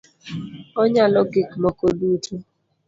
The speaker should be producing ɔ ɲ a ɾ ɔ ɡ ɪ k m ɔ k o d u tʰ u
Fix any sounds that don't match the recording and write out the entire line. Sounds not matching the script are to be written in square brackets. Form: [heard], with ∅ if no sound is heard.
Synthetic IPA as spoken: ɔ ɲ a [l] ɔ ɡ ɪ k m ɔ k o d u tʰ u